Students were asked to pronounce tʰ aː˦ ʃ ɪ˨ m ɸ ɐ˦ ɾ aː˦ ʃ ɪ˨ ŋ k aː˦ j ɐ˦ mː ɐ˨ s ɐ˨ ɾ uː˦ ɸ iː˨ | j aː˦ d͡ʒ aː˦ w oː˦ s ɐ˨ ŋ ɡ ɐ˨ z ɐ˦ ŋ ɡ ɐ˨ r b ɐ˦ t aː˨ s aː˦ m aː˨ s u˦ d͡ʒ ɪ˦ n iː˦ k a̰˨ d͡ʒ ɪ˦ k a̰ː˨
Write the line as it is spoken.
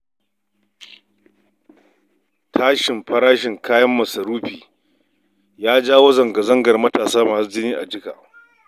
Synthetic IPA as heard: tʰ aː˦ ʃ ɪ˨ m ɸ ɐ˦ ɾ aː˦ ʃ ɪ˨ ŋ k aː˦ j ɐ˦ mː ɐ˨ s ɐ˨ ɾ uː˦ ɸ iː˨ | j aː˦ d͡ʒ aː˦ w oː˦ z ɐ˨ ŋ ɡ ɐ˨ z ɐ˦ ŋ ɡ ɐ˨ r m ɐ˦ t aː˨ s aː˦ m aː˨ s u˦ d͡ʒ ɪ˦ n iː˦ ʔ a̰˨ d͡ʒ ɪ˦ k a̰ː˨